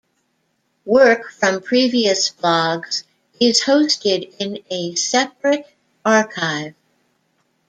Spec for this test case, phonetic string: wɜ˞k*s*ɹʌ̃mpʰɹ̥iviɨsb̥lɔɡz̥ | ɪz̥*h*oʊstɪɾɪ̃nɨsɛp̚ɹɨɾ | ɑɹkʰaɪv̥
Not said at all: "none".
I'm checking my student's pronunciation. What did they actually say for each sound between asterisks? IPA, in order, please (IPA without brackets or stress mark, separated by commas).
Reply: f, h